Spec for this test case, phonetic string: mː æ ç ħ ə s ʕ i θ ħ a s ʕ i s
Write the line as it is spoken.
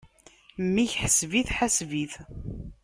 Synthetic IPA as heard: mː i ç ħ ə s v i θ ħ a s v i θ